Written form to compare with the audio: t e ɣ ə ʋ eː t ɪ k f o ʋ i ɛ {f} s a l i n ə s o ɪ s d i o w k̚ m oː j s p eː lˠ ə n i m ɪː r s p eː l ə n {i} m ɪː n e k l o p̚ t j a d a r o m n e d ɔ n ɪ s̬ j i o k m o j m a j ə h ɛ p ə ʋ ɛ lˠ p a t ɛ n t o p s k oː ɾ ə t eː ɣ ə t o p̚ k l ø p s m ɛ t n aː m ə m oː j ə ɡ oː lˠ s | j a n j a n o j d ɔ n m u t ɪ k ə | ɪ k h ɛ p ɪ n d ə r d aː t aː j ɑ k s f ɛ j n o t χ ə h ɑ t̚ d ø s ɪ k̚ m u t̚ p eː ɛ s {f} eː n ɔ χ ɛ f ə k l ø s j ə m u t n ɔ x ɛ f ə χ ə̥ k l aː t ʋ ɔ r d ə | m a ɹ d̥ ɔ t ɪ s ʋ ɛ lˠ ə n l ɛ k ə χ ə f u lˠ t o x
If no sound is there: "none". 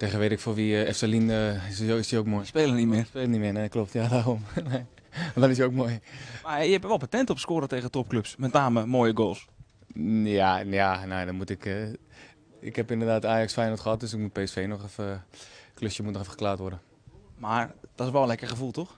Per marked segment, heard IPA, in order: f, i, f

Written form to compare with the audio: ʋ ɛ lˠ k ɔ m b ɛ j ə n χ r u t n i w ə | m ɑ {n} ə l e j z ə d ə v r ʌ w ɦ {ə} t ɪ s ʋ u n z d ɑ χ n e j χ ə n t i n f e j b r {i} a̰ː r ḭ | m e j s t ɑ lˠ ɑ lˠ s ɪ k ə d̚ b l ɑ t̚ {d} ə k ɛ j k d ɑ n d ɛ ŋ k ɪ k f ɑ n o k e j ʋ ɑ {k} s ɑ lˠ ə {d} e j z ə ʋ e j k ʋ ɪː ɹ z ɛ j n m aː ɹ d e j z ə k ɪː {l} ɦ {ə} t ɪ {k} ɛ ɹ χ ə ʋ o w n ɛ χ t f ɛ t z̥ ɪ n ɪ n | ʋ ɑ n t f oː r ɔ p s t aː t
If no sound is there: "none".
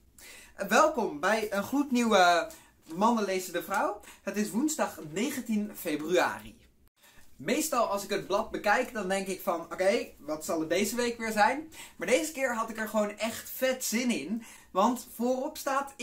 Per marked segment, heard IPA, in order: n, ə, y, b, t, d, ɹ, ɑ, k

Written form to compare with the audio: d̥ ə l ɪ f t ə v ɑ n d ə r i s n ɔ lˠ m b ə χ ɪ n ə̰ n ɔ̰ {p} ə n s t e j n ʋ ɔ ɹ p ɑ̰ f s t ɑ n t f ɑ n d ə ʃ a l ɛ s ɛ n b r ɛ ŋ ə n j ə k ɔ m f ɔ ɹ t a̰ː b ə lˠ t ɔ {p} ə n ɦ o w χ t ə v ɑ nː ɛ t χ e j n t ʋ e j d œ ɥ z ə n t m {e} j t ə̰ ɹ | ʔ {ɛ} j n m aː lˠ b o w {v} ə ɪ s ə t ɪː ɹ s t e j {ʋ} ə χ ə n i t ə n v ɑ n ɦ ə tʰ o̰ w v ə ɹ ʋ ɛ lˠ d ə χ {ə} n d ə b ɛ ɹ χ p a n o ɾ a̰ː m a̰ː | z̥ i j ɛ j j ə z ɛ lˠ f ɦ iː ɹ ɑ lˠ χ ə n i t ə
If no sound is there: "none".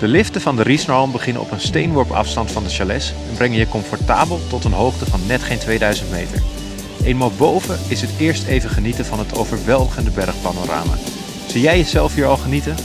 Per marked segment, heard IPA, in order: p, t, e, e, v, v, ə

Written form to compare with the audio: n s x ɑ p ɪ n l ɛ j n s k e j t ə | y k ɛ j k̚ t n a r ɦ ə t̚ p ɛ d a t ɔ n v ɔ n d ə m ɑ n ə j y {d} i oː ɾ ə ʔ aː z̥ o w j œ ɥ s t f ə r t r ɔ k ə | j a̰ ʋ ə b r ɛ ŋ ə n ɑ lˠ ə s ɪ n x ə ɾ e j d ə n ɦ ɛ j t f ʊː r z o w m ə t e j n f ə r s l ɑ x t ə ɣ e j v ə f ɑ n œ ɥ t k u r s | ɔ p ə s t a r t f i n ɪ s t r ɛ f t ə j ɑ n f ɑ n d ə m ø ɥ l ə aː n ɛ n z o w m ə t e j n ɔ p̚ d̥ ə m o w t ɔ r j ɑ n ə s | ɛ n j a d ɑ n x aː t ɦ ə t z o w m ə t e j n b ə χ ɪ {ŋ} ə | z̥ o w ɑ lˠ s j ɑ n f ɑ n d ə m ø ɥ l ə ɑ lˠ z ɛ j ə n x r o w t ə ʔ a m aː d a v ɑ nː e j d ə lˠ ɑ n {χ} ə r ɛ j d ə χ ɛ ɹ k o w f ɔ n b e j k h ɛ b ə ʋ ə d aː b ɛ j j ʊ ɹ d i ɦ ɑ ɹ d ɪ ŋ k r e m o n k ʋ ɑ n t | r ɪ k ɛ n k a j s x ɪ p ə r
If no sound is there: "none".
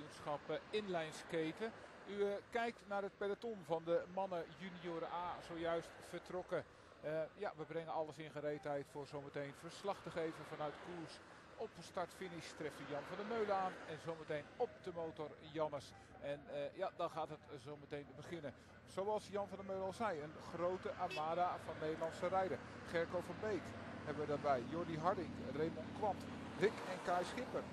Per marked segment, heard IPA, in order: n, n, s

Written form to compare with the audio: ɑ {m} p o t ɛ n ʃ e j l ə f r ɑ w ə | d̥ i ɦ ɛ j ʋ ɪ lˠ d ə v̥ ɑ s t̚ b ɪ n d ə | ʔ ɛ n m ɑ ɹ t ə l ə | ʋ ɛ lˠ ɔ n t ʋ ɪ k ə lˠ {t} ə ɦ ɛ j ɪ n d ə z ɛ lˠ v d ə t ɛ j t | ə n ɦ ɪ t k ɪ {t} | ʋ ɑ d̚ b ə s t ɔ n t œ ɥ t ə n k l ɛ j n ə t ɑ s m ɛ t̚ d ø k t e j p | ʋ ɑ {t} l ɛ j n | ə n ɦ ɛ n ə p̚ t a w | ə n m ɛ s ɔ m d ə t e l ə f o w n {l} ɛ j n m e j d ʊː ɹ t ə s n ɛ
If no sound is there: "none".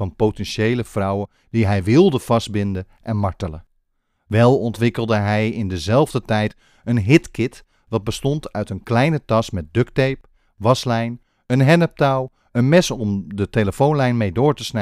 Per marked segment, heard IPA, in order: n, d, t, s, l

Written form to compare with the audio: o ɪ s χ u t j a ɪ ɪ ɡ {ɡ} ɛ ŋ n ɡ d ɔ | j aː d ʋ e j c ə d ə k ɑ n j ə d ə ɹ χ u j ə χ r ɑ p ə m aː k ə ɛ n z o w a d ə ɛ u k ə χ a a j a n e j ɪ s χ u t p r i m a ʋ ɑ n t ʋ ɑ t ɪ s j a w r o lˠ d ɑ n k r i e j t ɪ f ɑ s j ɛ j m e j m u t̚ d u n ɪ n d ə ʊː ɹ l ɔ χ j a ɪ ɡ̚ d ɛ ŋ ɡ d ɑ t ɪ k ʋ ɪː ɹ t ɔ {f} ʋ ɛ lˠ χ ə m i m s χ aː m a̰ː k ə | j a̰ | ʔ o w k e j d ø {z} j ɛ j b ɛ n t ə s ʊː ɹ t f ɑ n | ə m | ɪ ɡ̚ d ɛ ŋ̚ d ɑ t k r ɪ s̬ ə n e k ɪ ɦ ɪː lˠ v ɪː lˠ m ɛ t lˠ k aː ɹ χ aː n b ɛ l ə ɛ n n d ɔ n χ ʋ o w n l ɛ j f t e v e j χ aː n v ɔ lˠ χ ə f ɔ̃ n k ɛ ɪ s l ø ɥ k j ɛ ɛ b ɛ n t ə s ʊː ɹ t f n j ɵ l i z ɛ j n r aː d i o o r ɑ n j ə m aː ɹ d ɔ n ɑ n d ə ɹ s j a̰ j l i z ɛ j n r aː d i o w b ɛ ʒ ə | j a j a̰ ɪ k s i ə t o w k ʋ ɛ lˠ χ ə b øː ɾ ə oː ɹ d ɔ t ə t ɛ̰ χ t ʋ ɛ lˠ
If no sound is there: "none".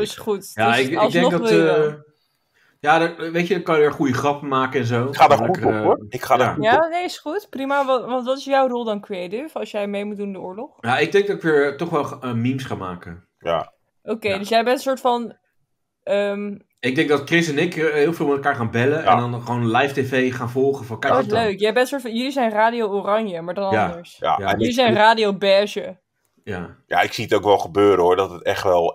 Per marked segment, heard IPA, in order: d, χ, s

